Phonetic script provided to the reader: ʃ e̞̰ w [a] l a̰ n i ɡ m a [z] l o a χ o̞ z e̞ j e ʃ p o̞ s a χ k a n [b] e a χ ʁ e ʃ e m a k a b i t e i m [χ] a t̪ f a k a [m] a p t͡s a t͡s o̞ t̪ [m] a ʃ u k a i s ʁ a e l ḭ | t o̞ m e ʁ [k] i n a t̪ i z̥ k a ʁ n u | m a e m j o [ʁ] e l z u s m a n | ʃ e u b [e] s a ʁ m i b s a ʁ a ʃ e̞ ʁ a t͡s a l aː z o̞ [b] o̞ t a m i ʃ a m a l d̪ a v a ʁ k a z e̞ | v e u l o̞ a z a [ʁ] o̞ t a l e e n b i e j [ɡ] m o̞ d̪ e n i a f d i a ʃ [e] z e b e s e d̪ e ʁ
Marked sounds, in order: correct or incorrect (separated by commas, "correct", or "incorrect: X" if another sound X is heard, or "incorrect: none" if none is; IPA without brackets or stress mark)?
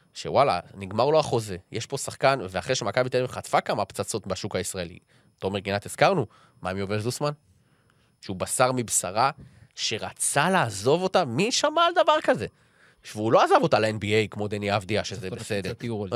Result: correct, incorrect: ʁ, incorrect: v, correct, correct, incorrect: b, incorrect: ɡ, incorrect: v, incorrect: a, incorrect: v, incorrect: v, incorrect: k, correct